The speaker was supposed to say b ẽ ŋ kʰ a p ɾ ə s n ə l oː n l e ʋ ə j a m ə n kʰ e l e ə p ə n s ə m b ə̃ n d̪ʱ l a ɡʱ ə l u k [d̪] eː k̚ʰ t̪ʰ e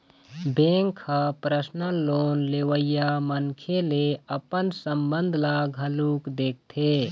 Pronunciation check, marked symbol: correct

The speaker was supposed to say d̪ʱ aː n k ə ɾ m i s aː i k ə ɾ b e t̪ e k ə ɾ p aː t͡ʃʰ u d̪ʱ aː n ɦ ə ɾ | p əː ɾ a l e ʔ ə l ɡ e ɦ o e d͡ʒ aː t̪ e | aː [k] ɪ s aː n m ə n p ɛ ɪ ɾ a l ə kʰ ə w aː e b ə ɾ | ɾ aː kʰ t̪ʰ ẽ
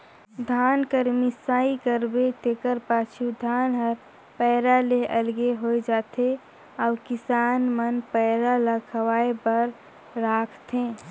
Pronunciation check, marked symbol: correct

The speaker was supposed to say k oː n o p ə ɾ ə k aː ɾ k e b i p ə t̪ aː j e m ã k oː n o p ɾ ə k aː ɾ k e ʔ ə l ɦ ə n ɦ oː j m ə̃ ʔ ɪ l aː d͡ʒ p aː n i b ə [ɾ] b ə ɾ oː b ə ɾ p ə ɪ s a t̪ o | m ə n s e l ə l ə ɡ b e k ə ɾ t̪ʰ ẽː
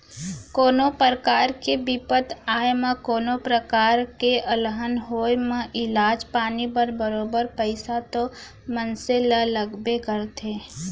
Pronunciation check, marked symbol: correct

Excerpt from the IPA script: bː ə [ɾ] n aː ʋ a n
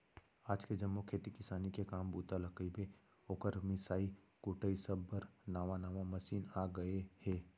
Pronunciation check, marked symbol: correct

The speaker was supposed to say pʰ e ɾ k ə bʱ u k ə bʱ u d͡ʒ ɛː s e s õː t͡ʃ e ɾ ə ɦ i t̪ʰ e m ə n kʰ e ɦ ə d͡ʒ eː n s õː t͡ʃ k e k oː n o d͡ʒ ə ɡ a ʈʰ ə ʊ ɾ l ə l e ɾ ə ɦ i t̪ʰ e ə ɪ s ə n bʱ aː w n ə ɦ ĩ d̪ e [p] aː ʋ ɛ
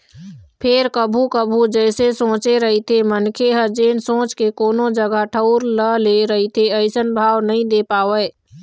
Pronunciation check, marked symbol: correct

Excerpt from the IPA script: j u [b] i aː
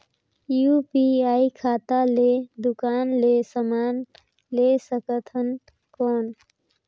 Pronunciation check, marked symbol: incorrect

